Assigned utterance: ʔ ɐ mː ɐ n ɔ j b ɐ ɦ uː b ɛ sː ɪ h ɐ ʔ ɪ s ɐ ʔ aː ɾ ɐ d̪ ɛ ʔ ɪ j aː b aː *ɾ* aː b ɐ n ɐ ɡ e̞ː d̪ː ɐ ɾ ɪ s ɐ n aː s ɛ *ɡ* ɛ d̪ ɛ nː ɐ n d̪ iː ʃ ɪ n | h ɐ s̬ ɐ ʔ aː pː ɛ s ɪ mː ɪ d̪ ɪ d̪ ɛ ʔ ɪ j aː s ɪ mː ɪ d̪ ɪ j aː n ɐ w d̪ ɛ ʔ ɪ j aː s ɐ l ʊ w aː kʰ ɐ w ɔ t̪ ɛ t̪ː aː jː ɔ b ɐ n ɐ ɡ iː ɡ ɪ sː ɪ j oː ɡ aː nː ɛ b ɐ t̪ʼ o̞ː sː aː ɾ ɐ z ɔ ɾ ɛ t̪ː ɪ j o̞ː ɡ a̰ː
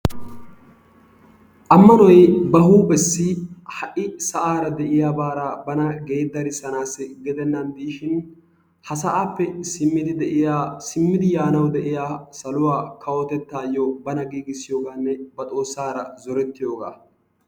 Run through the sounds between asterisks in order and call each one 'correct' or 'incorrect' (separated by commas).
correct, correct